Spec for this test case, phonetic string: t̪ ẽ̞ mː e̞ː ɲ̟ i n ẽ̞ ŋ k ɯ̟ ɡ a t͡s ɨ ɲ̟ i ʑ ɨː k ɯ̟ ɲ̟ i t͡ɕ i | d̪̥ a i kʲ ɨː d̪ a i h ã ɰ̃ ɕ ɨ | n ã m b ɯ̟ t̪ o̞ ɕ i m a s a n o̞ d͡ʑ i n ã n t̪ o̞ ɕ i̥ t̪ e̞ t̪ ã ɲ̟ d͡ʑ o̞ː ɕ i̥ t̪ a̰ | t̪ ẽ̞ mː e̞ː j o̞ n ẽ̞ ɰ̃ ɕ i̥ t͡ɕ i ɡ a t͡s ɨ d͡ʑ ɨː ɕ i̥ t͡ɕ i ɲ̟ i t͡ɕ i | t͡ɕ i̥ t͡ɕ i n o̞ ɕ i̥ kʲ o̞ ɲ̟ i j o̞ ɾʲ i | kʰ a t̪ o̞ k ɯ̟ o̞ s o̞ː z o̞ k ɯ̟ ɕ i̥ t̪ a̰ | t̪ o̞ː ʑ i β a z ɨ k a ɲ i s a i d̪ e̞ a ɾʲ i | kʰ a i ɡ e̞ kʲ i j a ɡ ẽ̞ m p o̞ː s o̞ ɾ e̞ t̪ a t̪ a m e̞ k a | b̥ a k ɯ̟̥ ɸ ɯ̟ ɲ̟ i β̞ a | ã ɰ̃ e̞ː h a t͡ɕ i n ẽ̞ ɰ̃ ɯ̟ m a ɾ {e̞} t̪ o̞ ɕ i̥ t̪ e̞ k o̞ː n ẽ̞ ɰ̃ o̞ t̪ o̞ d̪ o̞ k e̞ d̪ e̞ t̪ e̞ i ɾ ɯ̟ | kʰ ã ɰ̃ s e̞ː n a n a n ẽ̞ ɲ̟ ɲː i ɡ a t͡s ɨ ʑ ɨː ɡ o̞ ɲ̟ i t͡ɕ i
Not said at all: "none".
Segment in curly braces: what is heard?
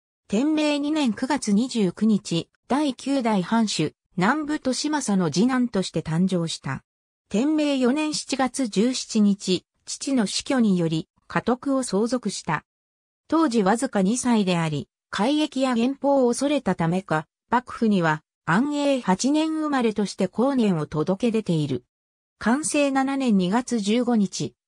e̞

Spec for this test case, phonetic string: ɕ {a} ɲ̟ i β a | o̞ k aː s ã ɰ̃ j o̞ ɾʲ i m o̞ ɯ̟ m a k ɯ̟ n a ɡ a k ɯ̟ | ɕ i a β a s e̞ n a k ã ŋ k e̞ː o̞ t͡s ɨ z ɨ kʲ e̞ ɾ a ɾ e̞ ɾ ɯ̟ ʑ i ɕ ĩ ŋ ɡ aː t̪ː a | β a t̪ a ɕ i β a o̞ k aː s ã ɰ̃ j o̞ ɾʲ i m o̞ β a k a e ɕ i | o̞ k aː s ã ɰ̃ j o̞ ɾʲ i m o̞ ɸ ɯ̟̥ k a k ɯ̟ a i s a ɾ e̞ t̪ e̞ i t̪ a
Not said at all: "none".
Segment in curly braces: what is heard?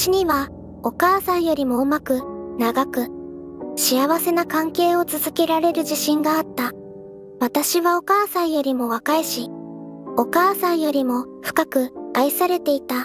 i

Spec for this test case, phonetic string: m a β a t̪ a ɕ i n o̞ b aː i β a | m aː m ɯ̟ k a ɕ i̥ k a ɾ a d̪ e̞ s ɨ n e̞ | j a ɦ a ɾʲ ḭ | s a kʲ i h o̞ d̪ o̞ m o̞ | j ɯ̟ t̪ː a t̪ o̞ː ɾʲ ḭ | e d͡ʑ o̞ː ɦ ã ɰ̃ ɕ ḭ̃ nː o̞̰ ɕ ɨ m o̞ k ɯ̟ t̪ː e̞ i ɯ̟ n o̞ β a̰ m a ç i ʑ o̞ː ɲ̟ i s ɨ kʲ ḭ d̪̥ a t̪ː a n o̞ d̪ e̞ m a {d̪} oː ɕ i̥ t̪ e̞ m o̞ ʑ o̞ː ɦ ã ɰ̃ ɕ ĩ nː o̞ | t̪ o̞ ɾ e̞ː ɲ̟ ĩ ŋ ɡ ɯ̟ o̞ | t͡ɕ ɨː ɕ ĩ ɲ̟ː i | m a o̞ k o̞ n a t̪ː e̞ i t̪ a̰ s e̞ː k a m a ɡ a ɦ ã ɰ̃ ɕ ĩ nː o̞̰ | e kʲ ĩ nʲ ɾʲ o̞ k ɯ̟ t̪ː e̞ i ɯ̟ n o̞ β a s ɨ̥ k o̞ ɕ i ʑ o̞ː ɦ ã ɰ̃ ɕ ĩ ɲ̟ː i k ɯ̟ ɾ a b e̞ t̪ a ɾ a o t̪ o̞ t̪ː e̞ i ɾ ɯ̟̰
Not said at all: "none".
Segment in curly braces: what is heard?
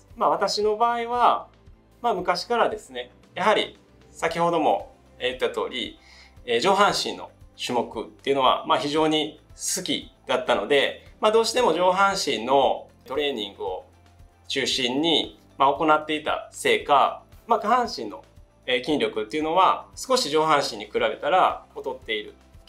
d̪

